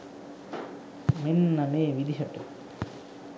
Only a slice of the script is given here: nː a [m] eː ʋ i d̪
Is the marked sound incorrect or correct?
correct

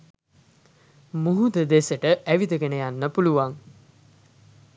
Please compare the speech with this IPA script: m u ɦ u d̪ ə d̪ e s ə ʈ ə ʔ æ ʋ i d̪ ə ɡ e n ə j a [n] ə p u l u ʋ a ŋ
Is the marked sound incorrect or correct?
incorrect: nː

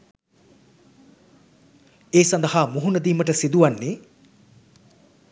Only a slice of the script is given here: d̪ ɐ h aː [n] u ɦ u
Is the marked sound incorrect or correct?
incorrect: m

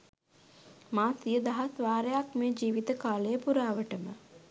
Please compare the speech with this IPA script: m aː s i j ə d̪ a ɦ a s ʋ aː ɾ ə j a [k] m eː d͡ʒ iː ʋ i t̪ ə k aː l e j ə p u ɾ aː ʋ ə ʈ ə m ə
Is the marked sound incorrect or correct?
correct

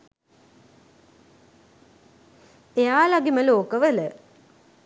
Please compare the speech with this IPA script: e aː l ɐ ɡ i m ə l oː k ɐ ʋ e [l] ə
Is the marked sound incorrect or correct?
correct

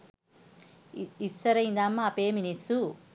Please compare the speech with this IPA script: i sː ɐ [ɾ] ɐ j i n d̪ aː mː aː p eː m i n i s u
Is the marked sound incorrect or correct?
correct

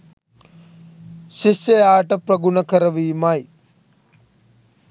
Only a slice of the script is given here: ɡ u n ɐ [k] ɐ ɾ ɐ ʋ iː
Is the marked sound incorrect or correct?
correct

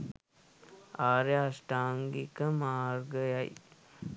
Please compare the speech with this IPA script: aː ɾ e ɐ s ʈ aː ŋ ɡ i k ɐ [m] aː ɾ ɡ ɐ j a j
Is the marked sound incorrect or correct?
correct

